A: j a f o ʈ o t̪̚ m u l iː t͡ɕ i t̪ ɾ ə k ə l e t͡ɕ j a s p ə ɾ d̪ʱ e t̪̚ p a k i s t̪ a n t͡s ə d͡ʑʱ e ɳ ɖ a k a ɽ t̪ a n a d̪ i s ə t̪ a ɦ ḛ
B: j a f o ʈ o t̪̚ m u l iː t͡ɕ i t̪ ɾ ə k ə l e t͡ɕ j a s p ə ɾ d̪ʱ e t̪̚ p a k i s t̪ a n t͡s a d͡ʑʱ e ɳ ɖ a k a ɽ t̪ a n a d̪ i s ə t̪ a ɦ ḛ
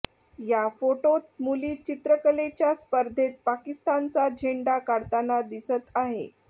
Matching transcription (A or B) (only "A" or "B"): B